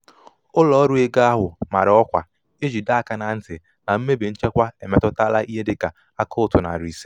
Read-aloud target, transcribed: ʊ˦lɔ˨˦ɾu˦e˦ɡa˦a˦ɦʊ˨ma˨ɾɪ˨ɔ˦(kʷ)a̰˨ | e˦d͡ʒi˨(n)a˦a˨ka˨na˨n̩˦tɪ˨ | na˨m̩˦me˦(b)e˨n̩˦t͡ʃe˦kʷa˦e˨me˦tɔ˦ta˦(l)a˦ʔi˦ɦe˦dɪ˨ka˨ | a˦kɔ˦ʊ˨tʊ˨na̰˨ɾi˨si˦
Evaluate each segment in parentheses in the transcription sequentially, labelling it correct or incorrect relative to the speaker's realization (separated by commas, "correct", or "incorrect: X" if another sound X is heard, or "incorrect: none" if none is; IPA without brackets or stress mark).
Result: correct, incorrect: d, correct, correct